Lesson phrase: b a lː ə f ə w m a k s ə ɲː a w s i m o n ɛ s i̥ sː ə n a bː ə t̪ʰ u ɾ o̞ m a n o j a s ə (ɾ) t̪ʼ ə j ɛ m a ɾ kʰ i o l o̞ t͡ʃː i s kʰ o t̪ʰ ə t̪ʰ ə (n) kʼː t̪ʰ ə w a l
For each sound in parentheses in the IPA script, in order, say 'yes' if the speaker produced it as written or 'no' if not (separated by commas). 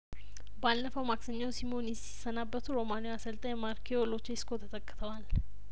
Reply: no, no